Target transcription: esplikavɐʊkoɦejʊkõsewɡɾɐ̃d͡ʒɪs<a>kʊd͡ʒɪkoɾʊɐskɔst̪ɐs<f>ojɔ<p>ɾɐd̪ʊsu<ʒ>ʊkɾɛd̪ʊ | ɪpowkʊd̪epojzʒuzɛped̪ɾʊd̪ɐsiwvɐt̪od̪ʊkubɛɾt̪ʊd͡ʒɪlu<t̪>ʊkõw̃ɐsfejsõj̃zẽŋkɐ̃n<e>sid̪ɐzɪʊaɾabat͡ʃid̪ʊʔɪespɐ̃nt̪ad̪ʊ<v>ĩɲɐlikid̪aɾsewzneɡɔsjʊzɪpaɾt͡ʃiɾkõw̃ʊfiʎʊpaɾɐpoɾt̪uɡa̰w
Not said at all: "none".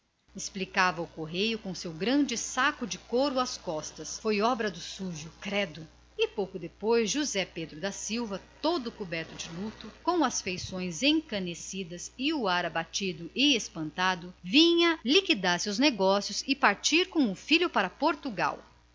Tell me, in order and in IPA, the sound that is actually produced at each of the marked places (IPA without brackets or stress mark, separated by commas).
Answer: a, f, b, ʒ, t̪, e, v